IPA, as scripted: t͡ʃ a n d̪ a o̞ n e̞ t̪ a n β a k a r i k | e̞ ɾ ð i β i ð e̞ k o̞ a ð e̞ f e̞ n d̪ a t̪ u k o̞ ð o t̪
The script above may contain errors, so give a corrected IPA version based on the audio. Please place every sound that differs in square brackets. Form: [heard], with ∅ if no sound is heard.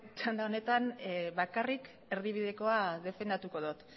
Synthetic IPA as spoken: t͡ʃ a n d̪ a o̞ n e̞ t̪ a n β a k a r i k | e̞ ɾ ð i β i ð e̞ k o̞ a ð e̞ f e̞ n d̪ a t̪ u k o̞ ð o t̪

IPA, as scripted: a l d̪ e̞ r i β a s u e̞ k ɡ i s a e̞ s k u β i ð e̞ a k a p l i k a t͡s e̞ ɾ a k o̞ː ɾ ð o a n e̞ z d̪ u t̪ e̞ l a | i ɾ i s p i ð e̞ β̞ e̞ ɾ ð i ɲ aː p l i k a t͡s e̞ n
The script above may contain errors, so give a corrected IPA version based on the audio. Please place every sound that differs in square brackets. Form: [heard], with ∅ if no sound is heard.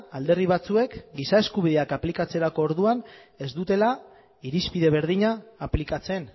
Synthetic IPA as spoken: a l d̪ e̞ r i β a [t͡s] u e̞ k ɡ i s a e̞ s k u β i ð e̞ a k a p l i k a t͡s e̞ ɾ a k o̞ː ɾ ð [u] a n e̞ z d̪ u t̪ e̞ l a | i ɾ i s p i ð e̞ β̞ e̞ ɾ ð i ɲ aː p l i k a t͡s e̞ n

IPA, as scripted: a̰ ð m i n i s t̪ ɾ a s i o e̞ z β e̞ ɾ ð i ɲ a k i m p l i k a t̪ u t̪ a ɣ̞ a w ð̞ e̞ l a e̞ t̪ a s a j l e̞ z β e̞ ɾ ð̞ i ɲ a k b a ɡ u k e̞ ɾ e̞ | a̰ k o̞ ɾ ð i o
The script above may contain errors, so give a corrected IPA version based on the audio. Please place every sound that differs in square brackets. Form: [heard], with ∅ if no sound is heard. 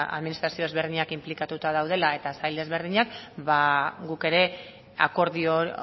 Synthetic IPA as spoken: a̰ ð m i n i s t̪ ɾ a s i o e̞ z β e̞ ɾ ð i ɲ a k i m p l i k a t̪ u t̪ a [ð̞] a w ð̞ e̞ l a e̞ t̪ a s a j l e̞ z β e̞ ɾ ð̞ i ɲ a k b a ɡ u k e̞ ɾ e̞ | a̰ k o̞ ɾ ð i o

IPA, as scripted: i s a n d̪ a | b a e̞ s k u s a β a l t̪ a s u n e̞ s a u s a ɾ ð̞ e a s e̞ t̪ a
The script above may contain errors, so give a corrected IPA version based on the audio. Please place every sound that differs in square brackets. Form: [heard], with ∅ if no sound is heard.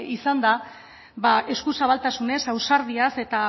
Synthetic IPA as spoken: i s a n d̪ a | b a e̞ s k u s a β a l t̪ a s u n e̞ s a [w] s a ɾ ð̞ [i] a s e̞ t̪ a

